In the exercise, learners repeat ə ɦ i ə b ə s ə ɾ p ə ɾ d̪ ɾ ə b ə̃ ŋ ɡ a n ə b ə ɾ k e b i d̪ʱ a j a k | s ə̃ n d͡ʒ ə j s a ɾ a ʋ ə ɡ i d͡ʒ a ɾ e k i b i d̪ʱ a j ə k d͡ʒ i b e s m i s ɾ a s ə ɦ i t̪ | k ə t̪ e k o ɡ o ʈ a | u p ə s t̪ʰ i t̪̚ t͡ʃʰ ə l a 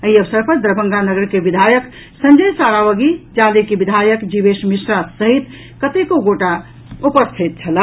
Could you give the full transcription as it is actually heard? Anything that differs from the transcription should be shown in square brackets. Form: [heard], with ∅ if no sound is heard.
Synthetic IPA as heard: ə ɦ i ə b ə s ə ɾ p ə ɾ d̪ ɾ ə b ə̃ ŋ ɡ a n ə [ɡ] ə ɾ k e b i d̪ʱ a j [ə] k | s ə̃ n d͡ʒ ə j s a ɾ a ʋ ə ɡ i d͡ʒ a [l] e k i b i d̪ʱ a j ə k d͡ʒ i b e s m i s ɾ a s ə ɦ i t̪ | k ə t̪ e k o ɡ o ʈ a | u p ə s t̪ʰ i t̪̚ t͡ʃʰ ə l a